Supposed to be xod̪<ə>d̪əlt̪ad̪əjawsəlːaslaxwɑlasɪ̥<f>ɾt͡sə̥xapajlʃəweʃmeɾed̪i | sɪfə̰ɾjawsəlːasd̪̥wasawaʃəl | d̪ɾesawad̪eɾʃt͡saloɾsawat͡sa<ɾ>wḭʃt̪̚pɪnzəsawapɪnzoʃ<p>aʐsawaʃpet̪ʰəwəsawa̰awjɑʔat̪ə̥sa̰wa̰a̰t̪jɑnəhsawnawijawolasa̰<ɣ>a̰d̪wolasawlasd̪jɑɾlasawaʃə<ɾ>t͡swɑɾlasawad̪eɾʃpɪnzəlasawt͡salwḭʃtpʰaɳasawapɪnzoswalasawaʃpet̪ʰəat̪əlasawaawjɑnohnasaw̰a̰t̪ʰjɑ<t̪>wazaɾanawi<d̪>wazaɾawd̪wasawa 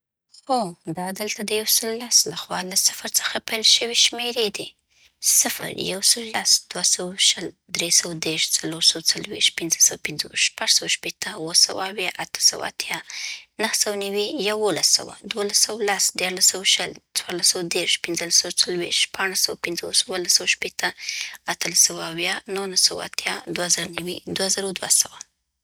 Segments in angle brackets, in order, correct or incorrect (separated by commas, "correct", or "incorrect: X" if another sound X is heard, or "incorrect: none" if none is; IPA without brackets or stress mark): incorrect: ɑ, correct, incorrect: l, correct, incorrect: w, incorrect: l, incorrect: d̪, correct